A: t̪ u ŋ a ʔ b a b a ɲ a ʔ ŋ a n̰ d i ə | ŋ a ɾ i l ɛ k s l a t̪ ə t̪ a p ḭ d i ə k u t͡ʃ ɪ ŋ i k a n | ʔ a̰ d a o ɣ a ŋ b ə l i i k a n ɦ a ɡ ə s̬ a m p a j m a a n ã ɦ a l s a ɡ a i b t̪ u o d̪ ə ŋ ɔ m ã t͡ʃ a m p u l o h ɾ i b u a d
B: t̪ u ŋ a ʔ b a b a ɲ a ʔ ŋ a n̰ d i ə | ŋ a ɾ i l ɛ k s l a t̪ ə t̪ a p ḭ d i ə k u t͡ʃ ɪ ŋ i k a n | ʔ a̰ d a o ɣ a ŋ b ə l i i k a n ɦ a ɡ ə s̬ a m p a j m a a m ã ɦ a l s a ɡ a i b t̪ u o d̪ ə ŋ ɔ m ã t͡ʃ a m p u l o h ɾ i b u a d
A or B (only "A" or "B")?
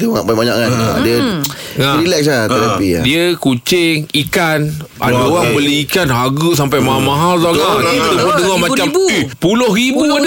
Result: B